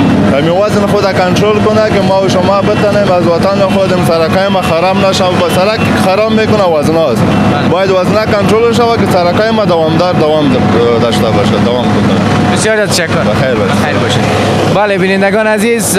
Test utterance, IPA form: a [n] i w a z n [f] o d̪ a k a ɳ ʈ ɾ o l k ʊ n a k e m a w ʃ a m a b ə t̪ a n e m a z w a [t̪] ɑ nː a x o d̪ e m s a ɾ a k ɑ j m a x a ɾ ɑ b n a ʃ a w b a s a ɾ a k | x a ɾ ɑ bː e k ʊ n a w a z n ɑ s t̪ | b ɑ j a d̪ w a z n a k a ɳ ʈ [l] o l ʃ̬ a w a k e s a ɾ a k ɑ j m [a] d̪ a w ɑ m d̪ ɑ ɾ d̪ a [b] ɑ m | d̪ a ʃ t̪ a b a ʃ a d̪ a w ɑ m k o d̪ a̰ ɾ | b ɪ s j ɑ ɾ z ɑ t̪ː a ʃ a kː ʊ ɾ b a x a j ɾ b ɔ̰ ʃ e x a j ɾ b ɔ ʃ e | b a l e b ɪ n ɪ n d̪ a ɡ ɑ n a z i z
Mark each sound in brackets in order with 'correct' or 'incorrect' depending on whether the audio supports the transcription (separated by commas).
incorrect, incorrect, correct, incorrect, correct, incorrect